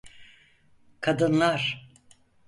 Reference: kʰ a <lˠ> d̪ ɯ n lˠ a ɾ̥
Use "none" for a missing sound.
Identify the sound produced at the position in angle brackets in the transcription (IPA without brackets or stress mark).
none